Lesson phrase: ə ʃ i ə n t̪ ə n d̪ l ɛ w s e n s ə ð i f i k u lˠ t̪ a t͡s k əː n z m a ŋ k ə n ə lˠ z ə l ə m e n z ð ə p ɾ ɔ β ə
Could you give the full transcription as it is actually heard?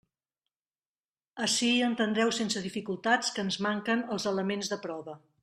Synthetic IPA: ə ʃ i ə n t̪ ə n d̪ ɾ ɛ w s e n s ə ð i f i k u lˠ t̪ a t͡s k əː n z m a ŋ k ə n ə lˠ z ə l ə m e n z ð ə p ɾ ɔ β ə

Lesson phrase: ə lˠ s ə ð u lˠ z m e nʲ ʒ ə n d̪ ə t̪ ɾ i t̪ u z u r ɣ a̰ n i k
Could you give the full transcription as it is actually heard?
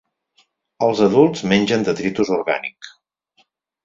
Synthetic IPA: ə lˠ z ə ð u lˠ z m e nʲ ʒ ə n d̪ ə t̪ ɾ i t̪ u z u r ɣ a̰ n i k

